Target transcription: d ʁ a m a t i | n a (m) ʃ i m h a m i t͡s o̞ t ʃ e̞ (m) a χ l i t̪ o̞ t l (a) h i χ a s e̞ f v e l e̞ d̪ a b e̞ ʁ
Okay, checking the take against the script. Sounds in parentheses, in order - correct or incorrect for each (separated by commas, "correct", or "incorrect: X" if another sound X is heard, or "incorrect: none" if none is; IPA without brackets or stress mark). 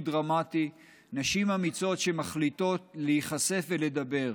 incorrect: none, correct, incorrect: e